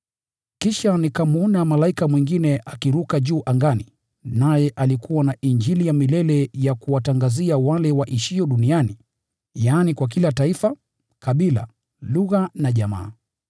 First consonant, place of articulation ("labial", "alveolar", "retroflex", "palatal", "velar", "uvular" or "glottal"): velar